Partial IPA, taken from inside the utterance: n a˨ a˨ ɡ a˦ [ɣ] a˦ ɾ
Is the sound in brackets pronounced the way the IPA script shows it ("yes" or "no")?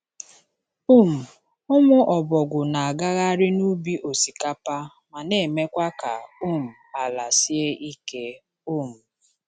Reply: yes